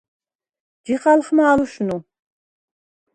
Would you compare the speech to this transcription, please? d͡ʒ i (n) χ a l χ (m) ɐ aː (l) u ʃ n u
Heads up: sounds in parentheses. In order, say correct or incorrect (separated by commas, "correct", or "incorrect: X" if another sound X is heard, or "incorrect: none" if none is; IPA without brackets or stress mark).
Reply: incorrect: none, correct, correct